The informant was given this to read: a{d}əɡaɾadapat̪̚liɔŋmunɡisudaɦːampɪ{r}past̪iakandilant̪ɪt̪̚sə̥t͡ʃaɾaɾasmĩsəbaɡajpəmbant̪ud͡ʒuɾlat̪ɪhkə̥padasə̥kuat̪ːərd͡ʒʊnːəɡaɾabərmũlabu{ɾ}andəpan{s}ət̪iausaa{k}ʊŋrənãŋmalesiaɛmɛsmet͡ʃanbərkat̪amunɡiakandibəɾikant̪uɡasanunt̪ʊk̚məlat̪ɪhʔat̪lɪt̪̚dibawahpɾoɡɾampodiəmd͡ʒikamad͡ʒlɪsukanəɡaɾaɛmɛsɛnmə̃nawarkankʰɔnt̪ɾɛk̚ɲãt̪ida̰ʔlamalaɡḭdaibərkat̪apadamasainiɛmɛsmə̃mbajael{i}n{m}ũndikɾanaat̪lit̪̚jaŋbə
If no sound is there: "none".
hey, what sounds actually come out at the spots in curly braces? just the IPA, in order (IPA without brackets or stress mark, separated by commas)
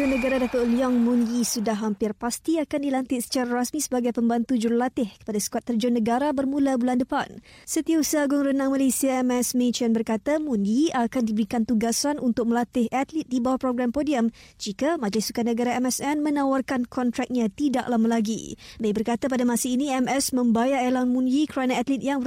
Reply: n, r, l, s, ɡ, a, m